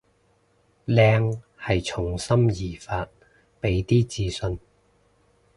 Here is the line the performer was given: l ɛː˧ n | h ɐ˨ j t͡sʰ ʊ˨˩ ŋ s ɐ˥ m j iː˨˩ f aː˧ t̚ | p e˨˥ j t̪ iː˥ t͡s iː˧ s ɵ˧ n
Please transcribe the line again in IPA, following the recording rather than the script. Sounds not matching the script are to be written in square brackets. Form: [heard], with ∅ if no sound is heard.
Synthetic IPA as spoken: l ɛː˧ [ŋ] | h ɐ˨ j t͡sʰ ʊ˨˩ ŋ s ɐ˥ m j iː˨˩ f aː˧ t̚ | p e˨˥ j t̪ iː˥ t͡s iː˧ s ɵ˧ n